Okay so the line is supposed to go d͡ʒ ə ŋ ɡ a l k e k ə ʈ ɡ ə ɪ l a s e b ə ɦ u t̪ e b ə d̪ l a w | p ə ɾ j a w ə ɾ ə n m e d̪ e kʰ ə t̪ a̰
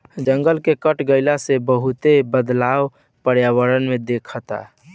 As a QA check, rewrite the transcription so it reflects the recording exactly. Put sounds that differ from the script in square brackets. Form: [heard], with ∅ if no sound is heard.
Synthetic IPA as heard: d͡ʒ ə ŋ ɡ [ə] l k e k ə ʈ ɡ ə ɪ l a s e b ə ɦ u t̪ e b ə d̪ l a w | p ə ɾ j a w ə ɾ ə n m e d̪ e kʰ ə t̪ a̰